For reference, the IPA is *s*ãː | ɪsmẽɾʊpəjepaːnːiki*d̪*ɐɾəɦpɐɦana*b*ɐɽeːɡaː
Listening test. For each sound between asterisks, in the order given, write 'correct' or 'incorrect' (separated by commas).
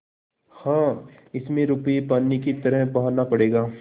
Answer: incorrect, incorrect, incorrect